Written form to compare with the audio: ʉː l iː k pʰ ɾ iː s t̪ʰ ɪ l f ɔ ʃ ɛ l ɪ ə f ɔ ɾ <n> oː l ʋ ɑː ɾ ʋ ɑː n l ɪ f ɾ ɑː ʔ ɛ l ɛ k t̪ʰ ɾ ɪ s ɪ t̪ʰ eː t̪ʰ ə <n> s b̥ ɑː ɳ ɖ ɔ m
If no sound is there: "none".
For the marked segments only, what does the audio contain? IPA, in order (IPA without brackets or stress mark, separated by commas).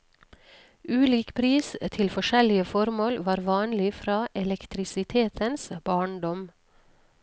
m, n